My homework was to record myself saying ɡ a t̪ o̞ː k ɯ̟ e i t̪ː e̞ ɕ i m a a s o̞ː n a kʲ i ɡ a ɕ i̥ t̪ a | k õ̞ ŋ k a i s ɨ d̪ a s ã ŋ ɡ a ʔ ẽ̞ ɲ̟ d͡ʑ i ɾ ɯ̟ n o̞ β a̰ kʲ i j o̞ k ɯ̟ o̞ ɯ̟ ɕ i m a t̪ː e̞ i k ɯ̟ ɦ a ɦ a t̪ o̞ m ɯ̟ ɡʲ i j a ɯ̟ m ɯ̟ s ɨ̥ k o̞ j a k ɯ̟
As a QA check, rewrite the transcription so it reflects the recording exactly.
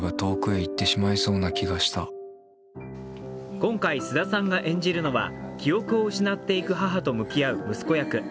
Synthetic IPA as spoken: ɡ a t̪ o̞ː k ɯ̟ e i t̪ː e̞ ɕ i m a i s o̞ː n a kʲ i ɡ a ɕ i̥ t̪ a | k õ̞ ŋ k a i s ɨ d̪ a s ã ŋ ɡ a ʔ ẽ̞ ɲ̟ d͡ʑ i ɾ ɯ̟ n o̞ β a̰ kʲ i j o̞ k ɯ̟ o̞ ɯ̟ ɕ i n a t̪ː e̞ i k ɯ̟ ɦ a ɦ a t̪ o̞ m ɯ̟ kʲ i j a ɯ̟ m ɯ̟ s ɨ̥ k o̞ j a k ɯ̟